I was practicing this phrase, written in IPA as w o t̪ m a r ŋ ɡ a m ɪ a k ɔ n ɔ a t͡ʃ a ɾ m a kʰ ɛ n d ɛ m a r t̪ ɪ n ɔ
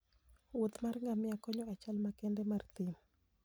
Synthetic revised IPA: w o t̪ m a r ŋ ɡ a m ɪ a k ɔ ɲ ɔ a t͡ʃ a l m a k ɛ n d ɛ m a r t̪ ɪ m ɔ